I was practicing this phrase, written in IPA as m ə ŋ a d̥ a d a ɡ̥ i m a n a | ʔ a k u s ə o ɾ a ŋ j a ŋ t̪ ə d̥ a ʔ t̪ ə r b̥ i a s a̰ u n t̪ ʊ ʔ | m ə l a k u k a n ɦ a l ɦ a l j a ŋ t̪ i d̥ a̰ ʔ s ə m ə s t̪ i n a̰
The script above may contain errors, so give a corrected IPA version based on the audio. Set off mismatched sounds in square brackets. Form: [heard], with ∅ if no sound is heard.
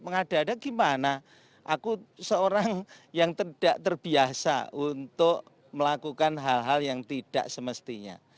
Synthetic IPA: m ə ŋ a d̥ a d a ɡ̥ i m a n a | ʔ a k u s ə o ɾ a ŋ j a ŋ t̪ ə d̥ a ʔ t̪ ə r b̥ i a s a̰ u n t̪ ʊ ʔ | m ə l a k u k a n ɦ a l ɦ a l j a ŋ t̪ i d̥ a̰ ʔ s ə m ə s t̪ i [ɲ] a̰